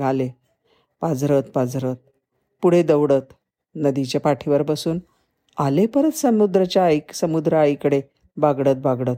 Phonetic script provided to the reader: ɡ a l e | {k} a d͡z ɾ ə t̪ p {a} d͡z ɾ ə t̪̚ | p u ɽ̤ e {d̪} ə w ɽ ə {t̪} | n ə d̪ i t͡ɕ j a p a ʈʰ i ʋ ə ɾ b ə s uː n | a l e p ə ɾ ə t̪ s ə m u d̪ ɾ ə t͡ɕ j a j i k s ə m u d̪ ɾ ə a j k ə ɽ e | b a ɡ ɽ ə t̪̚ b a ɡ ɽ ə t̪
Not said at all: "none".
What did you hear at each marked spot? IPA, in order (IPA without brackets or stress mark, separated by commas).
p, a, d̪, t̪